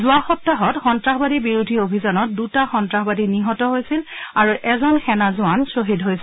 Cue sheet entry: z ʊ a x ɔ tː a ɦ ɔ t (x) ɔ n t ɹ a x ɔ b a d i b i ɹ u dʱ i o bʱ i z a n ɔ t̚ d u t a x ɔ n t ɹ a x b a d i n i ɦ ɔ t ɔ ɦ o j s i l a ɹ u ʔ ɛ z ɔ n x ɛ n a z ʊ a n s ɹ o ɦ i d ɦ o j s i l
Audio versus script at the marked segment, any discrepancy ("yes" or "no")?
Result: no